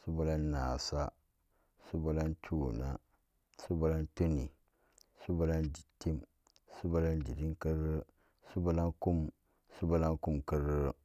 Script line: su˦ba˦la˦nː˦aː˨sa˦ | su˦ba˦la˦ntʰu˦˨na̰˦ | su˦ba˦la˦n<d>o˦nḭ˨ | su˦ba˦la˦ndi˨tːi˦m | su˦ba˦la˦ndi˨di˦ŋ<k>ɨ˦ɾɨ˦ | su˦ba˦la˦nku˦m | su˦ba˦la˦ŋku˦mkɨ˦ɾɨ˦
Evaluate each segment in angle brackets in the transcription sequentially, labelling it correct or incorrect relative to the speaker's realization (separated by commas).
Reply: incorrect, correct